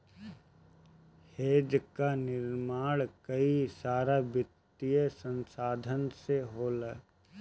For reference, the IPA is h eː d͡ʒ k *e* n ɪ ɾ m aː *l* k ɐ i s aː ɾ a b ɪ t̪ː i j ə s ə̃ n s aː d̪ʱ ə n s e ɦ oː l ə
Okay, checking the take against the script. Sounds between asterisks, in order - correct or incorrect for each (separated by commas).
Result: incorrect, incorrect